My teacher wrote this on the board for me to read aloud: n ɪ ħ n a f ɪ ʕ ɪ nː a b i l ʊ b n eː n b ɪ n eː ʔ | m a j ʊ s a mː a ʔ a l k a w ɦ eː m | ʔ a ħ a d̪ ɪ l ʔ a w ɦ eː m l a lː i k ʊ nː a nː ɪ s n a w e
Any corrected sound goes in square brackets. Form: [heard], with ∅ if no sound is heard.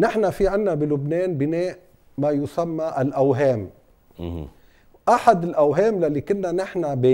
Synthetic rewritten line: n ɪ ħ n a f [i] ʕ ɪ nː a b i l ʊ b n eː n b ɪ n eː ʔ | m a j ʊ s a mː a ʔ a l [ʔ] a w ɦ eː m | ʔ a ħ a d̪ ɪ l ʔ a w ɦ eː m l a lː i k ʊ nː a [n] ɪ [ħ] n a [b] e